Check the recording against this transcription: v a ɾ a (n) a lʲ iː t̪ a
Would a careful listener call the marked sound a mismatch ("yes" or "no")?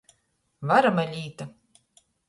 yes